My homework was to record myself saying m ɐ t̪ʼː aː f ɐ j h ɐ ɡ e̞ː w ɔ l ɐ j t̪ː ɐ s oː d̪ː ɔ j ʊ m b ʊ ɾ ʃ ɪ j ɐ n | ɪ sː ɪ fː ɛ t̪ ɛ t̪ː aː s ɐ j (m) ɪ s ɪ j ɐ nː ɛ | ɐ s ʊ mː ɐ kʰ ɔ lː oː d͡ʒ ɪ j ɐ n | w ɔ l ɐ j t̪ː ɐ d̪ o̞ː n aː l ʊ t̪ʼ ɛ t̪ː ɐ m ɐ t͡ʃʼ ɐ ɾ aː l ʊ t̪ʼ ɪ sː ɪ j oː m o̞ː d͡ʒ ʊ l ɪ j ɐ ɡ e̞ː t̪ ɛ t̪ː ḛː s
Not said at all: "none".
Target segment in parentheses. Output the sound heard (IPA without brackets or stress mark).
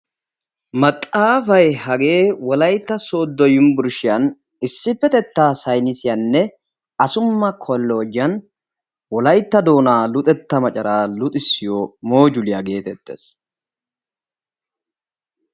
n